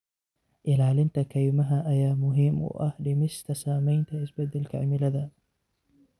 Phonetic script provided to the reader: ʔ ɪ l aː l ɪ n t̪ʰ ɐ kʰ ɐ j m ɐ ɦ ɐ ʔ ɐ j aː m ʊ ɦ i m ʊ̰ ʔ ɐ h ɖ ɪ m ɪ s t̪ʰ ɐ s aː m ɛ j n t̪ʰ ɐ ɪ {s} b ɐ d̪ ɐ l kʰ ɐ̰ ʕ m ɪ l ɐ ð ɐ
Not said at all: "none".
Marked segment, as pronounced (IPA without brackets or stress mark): s